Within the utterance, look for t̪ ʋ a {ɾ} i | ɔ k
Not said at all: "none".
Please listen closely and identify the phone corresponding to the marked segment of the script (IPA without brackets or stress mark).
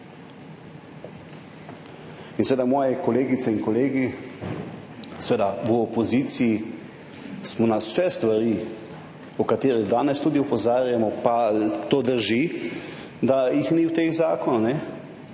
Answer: ɾ